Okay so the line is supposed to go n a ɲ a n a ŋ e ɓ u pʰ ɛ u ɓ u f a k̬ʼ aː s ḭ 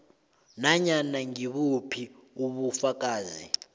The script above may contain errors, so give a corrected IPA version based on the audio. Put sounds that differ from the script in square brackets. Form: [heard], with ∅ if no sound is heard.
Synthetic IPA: n a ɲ a n a ŋ [i] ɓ u pʰ [i] u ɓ u f a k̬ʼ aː [z] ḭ

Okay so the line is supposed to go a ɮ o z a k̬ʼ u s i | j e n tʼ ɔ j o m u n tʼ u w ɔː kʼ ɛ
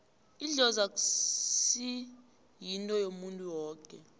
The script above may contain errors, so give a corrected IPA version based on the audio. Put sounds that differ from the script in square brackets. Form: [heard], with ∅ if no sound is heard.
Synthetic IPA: [i] ɮ [ɔ] z a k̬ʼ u s i | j [i] n tʼ ɔ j o m u n tʼ u w ɔː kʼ ɛ

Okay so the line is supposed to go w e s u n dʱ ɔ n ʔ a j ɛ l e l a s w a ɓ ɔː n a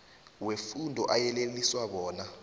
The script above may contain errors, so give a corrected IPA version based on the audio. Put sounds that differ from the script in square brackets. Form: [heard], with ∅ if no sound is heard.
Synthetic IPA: w e [f] u n dʱ ɔ [∅] ʔ a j ɛ l e l [i] s w a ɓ ɔː n a

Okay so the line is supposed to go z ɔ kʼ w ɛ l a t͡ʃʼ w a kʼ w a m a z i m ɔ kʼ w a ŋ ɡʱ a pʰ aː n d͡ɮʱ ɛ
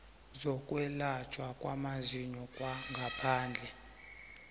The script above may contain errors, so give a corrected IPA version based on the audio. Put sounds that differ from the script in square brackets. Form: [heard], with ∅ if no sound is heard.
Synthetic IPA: z ɔ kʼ w ɛ l a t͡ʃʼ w a kʼ w a m a z i [ɲ] ɔ kʼ w a ŋ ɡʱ a pʰ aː n d͡ɮʱ ɛ

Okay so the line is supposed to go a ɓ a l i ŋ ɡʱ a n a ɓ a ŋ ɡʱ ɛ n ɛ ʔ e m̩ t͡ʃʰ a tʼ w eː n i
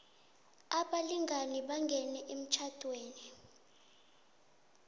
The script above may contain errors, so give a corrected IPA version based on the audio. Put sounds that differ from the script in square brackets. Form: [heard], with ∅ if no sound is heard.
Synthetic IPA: a ɓ a l i ŋ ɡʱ a n [i] ɓ a ŋ ɡʱ ɛ n ɛ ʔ e m̩ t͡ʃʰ a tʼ w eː n i

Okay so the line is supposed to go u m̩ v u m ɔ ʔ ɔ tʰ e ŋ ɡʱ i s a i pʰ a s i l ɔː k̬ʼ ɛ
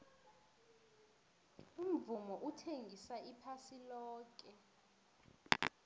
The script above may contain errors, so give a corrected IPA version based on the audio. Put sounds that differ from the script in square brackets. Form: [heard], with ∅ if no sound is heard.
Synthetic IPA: u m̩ v u m ɔ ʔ [u] tʰ e ŋ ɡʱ i s a i pʰ a s i l ɔː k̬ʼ ɛ

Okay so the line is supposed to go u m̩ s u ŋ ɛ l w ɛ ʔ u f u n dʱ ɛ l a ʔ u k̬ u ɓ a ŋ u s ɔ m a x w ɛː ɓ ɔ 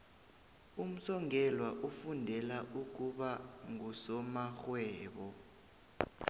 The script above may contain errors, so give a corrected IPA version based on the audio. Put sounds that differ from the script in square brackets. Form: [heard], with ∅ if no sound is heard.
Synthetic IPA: u m̩ s [ɔ] ŋ ɛ l w [a] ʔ u f u n dʱ ɛ l a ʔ u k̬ u ɓ a ŋ u s ɔ m a x w ɛː ɓ ɔ

